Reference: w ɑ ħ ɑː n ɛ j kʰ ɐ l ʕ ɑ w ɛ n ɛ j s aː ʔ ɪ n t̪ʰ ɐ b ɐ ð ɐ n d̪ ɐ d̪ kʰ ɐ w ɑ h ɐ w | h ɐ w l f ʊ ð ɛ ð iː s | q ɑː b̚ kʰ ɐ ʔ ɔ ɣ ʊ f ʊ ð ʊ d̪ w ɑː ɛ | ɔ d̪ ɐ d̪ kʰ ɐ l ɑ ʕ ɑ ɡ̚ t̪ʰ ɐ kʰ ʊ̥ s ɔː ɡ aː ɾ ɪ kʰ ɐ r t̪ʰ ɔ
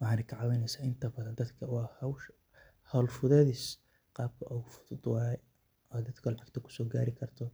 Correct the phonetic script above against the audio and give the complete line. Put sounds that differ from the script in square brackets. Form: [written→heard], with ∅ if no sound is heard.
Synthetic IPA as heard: w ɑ ħ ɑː n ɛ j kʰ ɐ [l→∅] ʕ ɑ w ɛ n ɛ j s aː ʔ ɪ n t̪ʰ ɐ b ɐ ð ɐ n d̪ ɐ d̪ kʰ ɐ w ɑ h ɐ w | h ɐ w l f ʊ ð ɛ ð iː s | q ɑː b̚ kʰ ɐ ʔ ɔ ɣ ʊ f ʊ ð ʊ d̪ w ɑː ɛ | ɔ d̪ ɐ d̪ kʰ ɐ l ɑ ʕ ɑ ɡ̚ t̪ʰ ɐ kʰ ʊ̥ s ɔː ɡ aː ɾ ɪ kʰ ɐ r t̪ʰ ɔ